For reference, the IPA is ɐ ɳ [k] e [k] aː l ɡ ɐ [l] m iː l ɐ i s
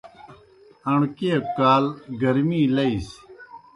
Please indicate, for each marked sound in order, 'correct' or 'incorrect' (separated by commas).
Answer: correct, correct, incorrect